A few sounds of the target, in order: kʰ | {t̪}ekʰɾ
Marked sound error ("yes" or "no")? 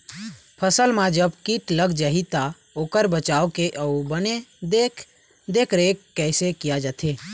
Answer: yes